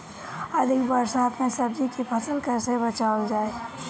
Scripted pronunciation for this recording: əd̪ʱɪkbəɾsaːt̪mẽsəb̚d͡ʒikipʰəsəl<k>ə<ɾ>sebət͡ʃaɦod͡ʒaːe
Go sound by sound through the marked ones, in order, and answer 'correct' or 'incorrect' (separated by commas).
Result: correct, correct